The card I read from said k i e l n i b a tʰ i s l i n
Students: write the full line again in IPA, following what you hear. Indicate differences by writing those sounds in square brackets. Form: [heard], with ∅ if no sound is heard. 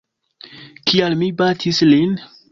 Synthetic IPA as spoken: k i [a] l [m] i b a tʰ i s l i n